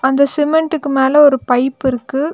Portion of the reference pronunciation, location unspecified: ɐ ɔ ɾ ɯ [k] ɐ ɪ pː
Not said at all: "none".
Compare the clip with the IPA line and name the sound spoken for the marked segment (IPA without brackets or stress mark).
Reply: p